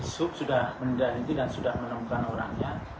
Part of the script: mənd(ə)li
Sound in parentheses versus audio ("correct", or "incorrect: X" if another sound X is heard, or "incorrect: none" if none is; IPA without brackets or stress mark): incorrect: a